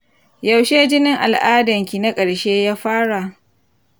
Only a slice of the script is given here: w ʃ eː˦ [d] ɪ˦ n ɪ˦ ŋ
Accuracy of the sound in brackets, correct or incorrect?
incorrect